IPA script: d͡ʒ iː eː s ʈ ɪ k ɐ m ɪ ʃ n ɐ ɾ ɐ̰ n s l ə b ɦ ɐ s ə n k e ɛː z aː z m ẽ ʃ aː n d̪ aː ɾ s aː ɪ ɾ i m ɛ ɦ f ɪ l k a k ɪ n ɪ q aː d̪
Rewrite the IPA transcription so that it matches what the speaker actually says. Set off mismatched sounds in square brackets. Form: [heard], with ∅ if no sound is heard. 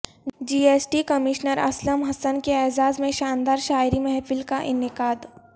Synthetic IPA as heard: d͡ʒ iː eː s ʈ [i] k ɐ m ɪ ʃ n [ə] ɾ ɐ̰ [∅] s l ə [m] ɦ ɐ s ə n k e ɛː z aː z m ẽ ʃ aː n d̪ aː ɾ [ʃ] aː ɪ ɾ i m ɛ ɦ f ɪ l k a [ʔ] ɪ n ɪ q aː d̪